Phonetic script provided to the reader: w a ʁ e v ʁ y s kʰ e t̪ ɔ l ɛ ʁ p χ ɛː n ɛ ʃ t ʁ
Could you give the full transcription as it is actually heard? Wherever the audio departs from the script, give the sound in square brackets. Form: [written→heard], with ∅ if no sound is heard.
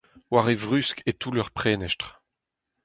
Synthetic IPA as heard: w a ʁ e v ʁ y s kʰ e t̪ [ɔ→u] l [ɛ→œ] ʁ p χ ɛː n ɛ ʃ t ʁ